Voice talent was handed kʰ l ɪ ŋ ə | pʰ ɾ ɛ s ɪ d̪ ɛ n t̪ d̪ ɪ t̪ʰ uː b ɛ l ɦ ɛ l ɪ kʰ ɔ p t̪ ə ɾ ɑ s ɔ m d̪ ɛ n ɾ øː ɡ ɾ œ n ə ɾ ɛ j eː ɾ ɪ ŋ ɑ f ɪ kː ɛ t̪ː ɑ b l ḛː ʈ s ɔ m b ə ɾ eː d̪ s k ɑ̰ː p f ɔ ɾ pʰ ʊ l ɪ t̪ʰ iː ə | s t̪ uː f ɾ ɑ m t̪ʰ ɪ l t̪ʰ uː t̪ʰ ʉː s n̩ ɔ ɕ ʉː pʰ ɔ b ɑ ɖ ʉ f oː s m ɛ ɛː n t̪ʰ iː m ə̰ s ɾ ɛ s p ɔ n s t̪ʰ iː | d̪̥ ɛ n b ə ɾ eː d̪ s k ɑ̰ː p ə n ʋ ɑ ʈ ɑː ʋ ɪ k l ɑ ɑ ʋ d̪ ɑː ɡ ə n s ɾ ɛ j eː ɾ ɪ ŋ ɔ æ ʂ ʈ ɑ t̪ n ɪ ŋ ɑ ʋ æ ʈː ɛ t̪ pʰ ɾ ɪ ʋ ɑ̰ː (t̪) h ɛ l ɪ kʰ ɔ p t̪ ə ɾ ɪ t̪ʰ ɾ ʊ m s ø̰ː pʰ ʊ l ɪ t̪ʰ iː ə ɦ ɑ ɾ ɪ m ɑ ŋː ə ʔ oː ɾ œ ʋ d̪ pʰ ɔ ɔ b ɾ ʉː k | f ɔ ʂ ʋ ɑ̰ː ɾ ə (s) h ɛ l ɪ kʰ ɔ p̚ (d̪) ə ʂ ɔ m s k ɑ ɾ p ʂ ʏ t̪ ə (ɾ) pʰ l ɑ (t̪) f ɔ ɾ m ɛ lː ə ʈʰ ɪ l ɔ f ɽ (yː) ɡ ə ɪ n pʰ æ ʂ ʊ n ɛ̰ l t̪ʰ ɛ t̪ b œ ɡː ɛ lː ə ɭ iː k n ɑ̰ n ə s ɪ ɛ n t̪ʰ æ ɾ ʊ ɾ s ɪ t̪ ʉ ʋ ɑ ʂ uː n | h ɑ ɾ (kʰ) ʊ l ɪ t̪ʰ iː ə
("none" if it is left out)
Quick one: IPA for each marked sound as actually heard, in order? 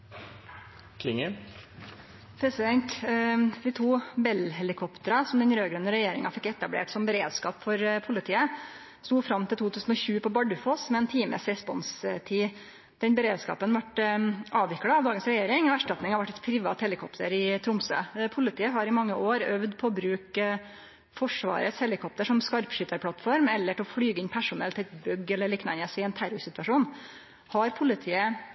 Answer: t̪, s, t̪, ɾ, t̪, yː, pʰ

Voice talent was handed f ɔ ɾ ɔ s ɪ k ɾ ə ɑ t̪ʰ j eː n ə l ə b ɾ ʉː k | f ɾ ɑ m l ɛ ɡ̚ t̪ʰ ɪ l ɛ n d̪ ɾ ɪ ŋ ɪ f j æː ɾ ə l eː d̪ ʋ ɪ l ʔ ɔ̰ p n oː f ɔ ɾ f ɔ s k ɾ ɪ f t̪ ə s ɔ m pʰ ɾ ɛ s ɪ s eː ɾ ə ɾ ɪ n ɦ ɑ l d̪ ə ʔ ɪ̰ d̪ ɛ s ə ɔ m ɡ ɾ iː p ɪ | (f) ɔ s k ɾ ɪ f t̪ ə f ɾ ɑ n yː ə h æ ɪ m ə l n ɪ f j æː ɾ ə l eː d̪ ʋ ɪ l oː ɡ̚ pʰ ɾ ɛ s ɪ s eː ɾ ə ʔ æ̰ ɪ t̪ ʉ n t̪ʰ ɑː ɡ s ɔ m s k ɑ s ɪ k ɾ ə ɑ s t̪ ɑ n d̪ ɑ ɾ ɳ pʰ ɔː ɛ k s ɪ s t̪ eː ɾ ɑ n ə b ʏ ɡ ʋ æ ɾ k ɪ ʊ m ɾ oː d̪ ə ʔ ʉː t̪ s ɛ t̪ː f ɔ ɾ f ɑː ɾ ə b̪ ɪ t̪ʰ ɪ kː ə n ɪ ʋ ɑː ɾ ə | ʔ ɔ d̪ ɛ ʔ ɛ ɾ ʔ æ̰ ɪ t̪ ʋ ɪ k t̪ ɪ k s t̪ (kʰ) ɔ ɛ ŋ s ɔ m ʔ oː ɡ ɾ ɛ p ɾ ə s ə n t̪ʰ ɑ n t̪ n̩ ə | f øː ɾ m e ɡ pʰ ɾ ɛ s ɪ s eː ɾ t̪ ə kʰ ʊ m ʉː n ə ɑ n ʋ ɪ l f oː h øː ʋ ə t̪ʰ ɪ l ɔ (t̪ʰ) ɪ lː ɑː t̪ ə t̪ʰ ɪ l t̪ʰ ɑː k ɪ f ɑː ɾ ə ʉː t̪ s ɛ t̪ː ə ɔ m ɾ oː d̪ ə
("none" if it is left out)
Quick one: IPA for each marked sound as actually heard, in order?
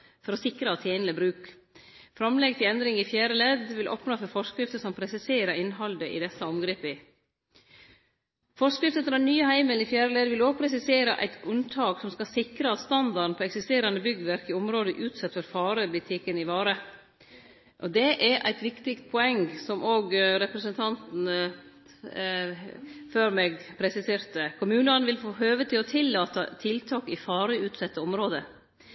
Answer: f, pʰ, t̪ʰ

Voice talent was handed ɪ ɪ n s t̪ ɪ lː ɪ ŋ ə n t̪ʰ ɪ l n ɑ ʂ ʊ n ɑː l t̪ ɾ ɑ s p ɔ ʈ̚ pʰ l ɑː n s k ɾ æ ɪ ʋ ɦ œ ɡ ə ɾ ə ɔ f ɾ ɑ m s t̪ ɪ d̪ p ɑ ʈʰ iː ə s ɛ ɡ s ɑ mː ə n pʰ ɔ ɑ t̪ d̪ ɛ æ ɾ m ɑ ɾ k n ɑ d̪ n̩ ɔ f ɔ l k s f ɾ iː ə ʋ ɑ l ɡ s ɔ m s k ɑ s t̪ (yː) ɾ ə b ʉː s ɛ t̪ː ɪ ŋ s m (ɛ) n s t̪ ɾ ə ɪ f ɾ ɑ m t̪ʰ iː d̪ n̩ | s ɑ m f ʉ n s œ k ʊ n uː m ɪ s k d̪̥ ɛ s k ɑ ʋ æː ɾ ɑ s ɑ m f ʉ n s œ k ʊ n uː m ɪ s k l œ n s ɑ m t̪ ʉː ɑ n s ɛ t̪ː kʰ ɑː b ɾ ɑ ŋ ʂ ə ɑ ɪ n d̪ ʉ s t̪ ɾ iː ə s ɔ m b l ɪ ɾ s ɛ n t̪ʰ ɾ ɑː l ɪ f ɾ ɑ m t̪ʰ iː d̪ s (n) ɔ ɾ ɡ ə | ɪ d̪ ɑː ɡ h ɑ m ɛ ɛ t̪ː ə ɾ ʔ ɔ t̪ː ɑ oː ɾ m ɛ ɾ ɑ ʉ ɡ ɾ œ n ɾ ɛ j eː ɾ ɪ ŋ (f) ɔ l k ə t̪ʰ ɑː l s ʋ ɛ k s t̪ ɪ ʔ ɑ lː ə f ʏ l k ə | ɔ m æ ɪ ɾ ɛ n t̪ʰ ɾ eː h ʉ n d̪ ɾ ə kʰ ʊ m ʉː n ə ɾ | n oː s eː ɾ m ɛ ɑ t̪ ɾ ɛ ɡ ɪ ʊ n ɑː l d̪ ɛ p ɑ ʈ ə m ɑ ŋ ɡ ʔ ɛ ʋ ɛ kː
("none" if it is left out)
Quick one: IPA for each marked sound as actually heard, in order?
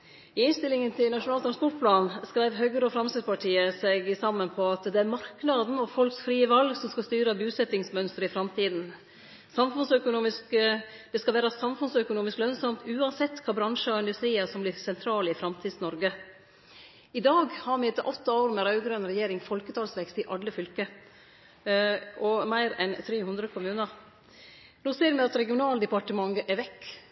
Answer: yː, œ, n, f

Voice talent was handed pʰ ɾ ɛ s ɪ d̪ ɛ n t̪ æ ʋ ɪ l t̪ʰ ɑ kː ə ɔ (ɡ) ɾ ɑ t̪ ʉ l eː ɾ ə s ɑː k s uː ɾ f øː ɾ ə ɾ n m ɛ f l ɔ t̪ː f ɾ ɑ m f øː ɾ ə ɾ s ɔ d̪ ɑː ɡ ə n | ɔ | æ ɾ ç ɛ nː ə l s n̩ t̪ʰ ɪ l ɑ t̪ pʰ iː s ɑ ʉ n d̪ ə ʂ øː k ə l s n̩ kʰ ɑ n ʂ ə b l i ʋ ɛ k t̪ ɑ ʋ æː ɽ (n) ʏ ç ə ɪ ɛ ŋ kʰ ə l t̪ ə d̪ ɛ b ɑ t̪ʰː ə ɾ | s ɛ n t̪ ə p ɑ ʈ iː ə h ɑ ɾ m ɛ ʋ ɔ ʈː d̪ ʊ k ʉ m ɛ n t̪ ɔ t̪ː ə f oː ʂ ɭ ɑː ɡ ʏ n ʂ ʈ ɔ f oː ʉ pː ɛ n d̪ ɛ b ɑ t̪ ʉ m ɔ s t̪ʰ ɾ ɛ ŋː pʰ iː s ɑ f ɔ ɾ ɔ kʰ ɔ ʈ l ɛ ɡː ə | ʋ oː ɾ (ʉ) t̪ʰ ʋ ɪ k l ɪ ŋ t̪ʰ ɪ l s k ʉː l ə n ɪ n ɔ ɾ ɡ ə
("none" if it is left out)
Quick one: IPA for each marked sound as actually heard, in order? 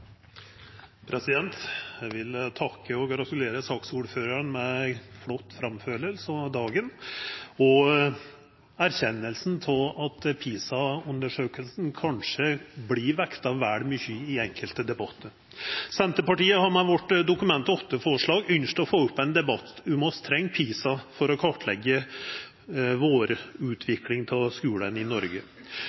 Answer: ɡ, m, ʉː

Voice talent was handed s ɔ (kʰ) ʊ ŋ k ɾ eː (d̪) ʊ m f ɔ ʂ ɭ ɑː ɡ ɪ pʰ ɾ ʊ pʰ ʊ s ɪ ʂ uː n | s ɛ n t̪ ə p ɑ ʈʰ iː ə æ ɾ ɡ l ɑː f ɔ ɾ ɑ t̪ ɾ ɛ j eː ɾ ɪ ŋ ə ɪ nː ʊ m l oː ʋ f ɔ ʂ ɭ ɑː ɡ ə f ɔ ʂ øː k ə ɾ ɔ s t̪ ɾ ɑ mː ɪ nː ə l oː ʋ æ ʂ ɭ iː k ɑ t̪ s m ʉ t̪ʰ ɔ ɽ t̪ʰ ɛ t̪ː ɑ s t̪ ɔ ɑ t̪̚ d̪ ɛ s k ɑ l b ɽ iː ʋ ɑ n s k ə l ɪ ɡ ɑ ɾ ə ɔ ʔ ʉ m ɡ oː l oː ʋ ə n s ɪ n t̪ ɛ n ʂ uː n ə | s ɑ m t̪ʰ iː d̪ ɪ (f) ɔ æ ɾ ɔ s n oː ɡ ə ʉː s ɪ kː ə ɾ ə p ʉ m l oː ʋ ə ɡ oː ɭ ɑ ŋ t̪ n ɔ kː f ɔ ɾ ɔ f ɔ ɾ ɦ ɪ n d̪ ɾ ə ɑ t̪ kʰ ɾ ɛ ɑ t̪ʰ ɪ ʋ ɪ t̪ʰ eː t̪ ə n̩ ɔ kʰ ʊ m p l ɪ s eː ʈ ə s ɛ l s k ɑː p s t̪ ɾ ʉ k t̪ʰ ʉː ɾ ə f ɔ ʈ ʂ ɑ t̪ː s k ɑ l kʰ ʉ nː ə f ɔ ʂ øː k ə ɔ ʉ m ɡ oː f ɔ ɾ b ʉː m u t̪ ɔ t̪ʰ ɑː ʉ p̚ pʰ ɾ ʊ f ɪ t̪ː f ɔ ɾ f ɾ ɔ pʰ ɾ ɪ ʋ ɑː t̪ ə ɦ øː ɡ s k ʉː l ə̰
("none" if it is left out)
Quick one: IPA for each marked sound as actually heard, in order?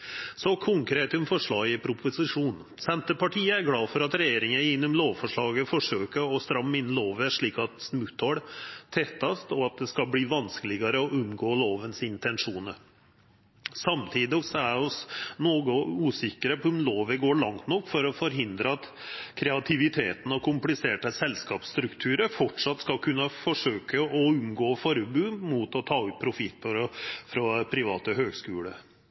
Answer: kʰ, t̪, s

